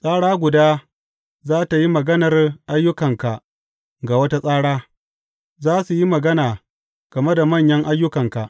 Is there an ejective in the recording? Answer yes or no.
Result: yes